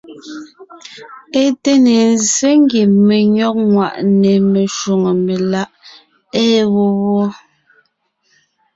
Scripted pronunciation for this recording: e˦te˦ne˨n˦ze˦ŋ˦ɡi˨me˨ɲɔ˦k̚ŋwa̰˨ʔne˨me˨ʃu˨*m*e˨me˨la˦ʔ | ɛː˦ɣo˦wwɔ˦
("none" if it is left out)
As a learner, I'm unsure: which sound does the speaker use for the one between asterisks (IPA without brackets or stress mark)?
ŋ